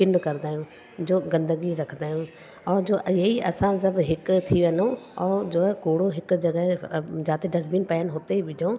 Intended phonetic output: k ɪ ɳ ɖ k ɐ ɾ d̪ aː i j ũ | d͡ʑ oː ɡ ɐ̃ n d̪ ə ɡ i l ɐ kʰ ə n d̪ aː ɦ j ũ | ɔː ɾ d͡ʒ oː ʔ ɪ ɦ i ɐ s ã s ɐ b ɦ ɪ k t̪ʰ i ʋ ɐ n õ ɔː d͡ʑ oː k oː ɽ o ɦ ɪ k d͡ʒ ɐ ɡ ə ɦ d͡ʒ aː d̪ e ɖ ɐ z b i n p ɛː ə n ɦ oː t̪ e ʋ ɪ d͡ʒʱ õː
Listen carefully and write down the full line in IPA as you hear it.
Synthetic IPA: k ɪ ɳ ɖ k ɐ ɾ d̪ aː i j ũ | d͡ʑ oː ɡ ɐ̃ n d̪ ə ɡ i ɾ ɐ kʰ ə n d̪ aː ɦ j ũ | ɔː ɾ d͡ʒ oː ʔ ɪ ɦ i ɐ s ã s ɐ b ɦ ɪ k t̪ʰ i ʋ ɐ n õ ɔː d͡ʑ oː k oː ɽ o ɦ ɪ k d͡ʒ ɐ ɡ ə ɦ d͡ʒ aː t̪ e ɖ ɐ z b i n p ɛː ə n ɦ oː t̪ e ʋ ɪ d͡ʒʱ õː